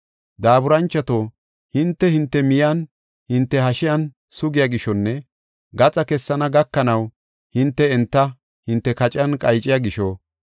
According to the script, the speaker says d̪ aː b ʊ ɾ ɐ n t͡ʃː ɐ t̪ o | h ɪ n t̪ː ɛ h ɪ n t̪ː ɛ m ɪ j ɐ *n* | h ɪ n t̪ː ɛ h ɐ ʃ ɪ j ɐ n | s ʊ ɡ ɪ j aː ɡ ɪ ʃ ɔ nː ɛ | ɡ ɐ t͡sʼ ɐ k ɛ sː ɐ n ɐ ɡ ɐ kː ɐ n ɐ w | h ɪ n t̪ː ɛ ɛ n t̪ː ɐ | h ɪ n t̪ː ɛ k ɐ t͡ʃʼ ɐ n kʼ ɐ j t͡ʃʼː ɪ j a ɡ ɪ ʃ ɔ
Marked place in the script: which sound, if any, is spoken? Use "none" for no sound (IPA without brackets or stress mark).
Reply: n